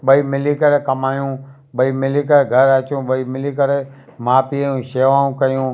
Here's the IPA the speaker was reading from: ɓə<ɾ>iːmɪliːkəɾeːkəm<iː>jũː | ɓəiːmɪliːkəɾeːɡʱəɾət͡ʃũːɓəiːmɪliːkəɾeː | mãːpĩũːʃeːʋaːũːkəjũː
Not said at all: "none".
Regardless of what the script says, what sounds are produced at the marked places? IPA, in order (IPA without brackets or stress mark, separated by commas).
none, aː